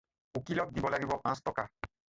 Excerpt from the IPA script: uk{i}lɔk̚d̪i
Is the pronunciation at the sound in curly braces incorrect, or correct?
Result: correct